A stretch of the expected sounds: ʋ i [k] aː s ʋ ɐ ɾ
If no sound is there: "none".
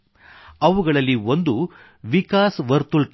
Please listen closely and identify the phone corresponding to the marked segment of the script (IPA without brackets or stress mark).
k